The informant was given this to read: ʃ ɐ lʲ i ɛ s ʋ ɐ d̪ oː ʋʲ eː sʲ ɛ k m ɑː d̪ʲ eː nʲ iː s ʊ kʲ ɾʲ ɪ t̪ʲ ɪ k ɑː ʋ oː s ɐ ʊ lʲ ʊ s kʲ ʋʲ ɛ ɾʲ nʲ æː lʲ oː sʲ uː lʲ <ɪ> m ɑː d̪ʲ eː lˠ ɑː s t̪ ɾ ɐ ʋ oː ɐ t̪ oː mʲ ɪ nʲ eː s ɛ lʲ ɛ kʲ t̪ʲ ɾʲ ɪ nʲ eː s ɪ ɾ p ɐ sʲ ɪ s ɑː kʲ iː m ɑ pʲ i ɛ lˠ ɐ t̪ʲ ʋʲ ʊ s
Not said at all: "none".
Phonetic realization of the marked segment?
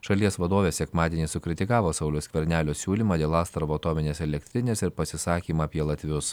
i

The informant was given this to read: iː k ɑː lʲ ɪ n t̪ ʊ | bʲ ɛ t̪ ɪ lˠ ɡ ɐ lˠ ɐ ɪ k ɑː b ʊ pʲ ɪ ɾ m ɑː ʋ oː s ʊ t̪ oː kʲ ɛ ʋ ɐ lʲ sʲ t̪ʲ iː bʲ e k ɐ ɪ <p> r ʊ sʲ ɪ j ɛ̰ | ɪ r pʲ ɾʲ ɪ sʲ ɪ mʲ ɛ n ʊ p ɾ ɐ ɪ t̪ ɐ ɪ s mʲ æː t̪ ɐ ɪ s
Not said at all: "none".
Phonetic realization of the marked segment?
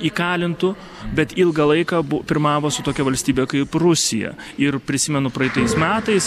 p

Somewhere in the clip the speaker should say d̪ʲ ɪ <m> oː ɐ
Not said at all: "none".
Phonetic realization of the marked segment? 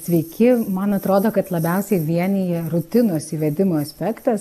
m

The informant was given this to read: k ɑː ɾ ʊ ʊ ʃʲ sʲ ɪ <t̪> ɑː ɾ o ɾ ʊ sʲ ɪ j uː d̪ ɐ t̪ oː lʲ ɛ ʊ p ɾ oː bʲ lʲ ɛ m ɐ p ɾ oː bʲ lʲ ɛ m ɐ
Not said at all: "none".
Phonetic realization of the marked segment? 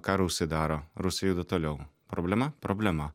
d̪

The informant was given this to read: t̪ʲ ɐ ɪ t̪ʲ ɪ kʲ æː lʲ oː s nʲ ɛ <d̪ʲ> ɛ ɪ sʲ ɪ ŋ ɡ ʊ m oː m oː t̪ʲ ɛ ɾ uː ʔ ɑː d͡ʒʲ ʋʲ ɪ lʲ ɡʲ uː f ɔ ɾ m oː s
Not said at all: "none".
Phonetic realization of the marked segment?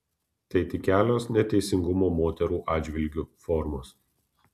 t̪ʲ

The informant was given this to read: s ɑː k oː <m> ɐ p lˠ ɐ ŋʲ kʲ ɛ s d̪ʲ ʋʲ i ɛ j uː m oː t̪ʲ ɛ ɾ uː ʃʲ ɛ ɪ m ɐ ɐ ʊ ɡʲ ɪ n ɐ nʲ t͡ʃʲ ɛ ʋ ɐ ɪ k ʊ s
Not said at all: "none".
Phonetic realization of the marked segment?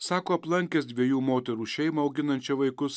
none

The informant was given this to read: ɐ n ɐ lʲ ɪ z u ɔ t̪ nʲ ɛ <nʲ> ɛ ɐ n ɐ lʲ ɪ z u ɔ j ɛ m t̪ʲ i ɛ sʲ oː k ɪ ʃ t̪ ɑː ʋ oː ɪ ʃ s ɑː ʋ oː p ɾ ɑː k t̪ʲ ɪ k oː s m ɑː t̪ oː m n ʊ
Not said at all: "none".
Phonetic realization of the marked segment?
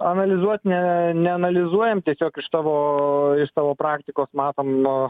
nʲ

